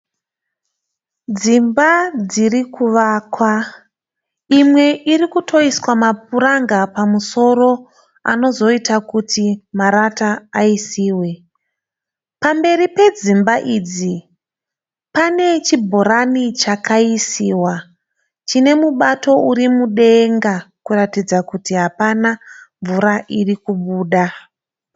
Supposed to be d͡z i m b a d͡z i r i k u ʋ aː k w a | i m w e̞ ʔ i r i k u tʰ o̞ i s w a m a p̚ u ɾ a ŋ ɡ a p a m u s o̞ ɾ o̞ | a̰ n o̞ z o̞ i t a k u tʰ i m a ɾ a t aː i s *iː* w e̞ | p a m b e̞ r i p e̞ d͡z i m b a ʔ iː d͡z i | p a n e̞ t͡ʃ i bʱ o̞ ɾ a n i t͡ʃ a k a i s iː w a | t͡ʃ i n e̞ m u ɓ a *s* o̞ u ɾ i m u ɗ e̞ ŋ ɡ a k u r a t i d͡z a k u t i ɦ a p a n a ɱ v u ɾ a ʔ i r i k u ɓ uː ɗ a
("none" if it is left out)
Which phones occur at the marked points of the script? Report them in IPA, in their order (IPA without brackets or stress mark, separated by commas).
iː, t